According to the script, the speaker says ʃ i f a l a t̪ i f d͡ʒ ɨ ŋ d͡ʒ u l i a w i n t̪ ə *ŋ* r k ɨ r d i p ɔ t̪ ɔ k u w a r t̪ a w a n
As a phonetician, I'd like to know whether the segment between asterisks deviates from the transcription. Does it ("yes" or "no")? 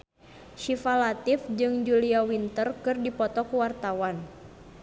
yes